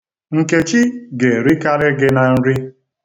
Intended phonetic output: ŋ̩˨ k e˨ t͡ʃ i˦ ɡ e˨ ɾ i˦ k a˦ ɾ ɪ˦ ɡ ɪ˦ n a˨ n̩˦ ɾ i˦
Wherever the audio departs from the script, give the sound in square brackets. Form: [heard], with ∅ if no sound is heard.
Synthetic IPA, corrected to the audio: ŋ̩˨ k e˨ t͡ʃ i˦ ɡ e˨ ɾ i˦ k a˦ ɾ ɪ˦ ɡ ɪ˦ n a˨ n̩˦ ɾ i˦